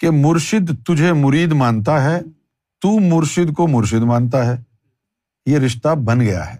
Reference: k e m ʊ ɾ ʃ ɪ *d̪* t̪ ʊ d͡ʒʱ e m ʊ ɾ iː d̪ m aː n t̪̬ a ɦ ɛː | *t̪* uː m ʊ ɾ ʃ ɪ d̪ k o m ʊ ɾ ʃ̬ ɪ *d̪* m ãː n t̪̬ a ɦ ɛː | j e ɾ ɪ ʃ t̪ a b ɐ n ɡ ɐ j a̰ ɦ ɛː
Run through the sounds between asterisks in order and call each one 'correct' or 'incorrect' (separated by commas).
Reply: correct, correct, correct